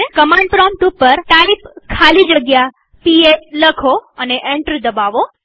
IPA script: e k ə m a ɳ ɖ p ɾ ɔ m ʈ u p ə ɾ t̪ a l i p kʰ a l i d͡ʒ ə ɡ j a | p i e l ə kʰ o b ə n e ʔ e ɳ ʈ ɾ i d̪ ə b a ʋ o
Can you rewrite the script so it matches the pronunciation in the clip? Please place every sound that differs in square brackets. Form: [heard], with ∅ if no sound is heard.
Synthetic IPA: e k ə m a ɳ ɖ p ɾ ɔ m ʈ u p ə ɾ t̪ a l i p kʰ a l i d͡ʒ ə ɡ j a | p i e l ə kʰ o [∅] ə n e ʔ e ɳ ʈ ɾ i d̪ ə b a ʋ o